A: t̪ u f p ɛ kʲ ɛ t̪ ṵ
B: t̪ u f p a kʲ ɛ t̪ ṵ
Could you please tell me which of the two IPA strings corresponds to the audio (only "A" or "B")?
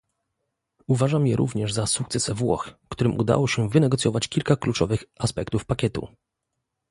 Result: B